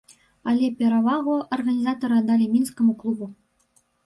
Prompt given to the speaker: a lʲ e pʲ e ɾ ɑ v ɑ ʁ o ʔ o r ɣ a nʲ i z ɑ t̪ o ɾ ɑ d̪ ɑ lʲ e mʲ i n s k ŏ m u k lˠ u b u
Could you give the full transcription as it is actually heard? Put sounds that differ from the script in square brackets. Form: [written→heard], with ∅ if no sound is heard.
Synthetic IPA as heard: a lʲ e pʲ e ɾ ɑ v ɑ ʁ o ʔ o r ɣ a nʲ i z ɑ t̪ o ɾ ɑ d̪ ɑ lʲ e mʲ i n s k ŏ m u k lˠ u b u